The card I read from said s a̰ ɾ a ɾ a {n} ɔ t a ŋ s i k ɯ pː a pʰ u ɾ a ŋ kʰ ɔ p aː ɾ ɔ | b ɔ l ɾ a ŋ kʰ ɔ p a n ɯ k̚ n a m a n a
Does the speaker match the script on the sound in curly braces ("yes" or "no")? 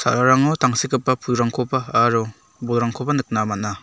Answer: no